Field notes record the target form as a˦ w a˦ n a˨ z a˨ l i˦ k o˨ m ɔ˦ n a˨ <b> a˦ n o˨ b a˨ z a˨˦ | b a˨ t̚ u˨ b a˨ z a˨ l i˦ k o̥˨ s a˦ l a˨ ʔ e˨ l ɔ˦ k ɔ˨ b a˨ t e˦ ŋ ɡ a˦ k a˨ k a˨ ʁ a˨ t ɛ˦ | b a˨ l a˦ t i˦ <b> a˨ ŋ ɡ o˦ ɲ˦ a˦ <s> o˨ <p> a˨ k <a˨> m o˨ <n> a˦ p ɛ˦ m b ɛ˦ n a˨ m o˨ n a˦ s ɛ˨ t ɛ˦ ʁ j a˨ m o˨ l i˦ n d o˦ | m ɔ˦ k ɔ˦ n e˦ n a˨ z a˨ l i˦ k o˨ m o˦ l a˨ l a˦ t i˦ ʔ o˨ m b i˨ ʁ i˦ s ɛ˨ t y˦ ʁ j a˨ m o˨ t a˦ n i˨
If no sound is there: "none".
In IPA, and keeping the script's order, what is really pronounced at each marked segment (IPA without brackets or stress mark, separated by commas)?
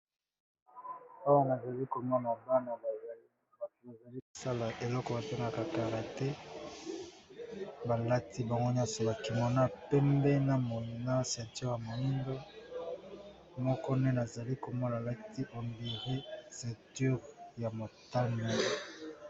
b, b, s, b, i˨, n